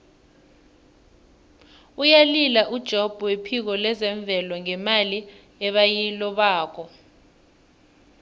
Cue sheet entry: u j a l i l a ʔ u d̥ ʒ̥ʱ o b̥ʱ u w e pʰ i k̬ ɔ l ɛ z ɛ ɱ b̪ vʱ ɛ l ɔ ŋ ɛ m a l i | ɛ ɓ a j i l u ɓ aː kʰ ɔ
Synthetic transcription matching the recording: u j a l i l a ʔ u d̥ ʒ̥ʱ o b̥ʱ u w e pʰ i k̬ ɔ l ɛ z ɛ ɱ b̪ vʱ ɛ l ɔ ŋ ɛ m a l i | ɛ ɓ a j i l ɔ ɓ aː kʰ ɔ